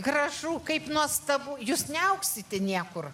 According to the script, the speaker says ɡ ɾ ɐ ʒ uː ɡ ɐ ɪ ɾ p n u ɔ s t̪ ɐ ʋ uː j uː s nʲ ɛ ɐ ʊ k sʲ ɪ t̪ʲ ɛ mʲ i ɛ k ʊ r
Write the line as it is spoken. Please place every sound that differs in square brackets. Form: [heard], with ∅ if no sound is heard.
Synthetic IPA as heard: ɡ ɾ ɐ ʒ uː [k] ɐ ɪ [∅] p n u ɔ s t̪ ɐ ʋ uː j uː s nʲ ɛ ɐ ʊ k sʲ ɪ t̪ʲ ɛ [nʲ] i ɛ k ʊ r